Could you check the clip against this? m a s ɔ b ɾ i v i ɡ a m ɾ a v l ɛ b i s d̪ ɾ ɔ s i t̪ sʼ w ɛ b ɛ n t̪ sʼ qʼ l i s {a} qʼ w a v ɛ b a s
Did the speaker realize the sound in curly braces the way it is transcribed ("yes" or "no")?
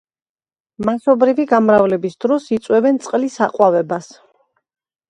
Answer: yes